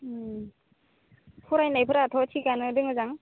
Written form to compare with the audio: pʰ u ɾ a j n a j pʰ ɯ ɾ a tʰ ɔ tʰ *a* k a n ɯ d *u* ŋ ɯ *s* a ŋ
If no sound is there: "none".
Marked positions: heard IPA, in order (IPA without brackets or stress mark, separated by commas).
i, ɯ, z